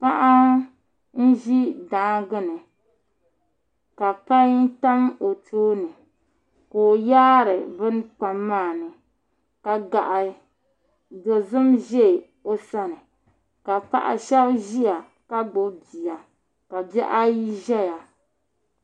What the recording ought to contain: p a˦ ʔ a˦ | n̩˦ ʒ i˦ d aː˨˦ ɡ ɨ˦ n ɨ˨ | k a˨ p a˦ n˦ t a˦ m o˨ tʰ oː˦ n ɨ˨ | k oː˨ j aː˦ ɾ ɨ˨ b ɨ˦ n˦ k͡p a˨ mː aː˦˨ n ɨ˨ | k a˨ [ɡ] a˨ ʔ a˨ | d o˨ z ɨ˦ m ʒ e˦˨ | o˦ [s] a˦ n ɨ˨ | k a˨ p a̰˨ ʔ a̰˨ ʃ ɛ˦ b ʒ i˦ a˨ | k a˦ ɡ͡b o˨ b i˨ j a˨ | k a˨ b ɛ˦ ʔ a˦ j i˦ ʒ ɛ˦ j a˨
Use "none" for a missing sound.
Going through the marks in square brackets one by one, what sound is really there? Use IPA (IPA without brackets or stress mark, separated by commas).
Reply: ɡ, s